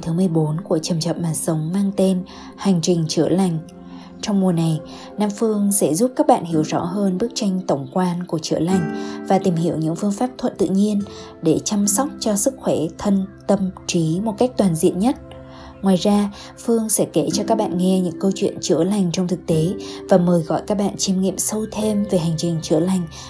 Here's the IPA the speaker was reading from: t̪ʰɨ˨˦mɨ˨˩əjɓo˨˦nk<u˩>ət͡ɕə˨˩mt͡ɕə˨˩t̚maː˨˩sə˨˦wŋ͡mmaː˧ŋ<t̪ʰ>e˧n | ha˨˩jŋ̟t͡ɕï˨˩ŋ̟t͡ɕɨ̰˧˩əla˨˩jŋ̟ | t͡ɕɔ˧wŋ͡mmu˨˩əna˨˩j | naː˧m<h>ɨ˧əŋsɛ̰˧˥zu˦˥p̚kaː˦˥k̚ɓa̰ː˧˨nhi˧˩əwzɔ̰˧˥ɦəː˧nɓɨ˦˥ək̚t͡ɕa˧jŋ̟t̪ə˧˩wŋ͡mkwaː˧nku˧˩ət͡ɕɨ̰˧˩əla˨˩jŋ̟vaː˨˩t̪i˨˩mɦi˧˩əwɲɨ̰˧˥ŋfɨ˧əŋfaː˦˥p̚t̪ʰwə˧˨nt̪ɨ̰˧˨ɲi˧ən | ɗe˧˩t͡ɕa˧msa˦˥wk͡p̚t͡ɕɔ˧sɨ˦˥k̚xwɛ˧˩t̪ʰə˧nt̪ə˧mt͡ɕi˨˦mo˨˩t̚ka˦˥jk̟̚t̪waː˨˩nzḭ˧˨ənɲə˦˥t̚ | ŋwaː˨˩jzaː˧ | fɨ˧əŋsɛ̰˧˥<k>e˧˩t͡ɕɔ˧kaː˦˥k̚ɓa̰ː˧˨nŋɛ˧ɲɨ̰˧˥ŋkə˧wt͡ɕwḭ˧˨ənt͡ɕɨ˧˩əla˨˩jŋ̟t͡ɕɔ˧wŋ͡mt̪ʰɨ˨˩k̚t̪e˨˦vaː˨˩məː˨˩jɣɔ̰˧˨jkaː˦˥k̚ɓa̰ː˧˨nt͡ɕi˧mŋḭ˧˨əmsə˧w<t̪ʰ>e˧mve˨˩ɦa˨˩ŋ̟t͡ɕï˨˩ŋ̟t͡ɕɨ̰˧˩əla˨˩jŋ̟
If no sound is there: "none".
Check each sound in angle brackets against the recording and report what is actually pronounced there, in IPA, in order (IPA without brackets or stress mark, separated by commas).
u˧˩, t̪, f, k, t̪ʰ